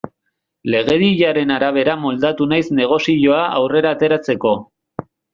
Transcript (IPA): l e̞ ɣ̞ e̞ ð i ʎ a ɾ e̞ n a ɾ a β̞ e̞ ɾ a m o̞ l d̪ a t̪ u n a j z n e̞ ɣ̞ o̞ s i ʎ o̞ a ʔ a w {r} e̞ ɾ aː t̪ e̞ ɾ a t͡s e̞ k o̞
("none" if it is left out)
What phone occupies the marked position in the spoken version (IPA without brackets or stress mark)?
r